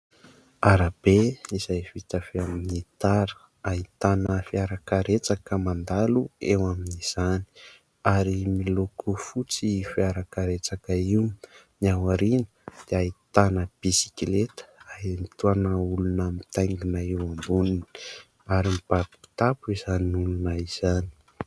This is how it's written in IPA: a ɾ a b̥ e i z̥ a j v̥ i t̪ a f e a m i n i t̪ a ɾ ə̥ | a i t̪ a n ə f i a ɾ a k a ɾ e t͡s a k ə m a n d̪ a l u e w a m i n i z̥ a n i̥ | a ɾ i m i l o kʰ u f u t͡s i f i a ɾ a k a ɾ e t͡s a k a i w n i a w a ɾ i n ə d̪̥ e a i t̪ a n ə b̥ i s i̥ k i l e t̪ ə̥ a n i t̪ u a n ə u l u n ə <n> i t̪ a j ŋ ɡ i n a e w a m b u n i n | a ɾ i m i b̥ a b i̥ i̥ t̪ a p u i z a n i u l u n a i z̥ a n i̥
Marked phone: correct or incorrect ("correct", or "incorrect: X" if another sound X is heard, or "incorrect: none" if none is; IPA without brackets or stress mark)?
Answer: incorrect: m